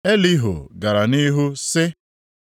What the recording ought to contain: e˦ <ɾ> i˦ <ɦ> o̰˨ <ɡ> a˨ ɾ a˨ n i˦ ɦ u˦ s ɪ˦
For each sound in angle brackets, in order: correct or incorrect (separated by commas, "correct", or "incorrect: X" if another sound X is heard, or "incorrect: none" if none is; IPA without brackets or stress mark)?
incorrect: l, correct, correct